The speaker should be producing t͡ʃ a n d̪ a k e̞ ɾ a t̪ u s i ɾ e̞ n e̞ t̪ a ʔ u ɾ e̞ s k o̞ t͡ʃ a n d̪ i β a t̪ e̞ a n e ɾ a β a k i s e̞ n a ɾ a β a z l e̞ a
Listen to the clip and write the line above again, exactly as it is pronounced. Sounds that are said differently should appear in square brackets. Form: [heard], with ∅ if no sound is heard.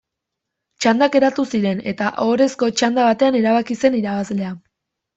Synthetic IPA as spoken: t͡ʃ a n d̪ a k e̞ ɾ a t̪ u s i ɾ e̞ n e̞ t̪ a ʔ [o] ɾ e̞ s k o̞ t͡ʃ a n d̪ [a] β a t̪ e̞ a n e ɾ a β a k i s e̞ n [i] ɾ a β a z l e̞ a